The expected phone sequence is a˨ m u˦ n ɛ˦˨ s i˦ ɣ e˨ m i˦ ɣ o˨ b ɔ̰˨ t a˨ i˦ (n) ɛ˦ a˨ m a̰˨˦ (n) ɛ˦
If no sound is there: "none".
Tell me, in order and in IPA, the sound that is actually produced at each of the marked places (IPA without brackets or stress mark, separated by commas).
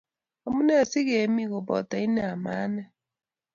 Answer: n, n